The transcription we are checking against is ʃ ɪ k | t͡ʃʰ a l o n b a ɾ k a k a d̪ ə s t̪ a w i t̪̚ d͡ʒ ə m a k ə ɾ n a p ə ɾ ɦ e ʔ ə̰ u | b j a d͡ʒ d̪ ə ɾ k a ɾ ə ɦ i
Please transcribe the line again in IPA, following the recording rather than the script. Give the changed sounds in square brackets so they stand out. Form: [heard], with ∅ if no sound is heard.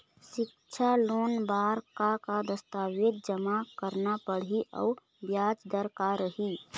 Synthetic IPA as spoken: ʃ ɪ k | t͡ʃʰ a l o n b a ɾ k a k a d̪ ə s t̪ a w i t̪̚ d͡ʒ ə m a k ə ɾ n a p ə [ɽ] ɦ [i] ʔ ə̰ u | b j a d͡ʒ d̪ ə ɾ k a ɾ ə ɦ i